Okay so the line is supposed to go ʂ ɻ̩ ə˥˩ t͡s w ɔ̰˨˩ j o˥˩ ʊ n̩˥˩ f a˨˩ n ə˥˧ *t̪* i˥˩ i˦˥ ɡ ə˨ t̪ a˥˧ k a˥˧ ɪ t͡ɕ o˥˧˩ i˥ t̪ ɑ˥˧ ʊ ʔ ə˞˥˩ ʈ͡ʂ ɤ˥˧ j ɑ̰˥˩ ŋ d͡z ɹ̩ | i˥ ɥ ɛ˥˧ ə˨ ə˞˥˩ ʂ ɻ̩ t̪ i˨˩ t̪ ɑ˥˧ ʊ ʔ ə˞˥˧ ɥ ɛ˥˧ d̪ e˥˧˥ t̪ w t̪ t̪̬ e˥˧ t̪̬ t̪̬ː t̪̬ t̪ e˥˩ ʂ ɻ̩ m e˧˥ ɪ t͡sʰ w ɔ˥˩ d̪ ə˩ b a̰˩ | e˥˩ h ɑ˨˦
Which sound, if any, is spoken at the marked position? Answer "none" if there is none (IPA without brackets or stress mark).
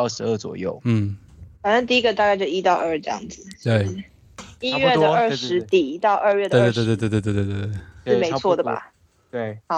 t̪